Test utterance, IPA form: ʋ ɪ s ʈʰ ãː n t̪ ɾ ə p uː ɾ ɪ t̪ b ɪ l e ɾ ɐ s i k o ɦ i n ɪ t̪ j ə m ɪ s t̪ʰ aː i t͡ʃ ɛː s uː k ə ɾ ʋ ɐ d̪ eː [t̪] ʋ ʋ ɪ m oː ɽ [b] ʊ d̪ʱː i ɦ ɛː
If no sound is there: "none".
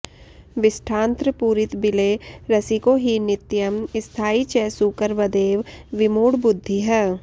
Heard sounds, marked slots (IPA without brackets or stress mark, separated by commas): none, b